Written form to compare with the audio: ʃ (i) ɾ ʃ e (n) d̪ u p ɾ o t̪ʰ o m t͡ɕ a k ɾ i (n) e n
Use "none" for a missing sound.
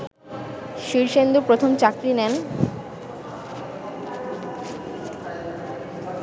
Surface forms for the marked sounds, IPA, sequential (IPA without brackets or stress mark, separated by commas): i, n, n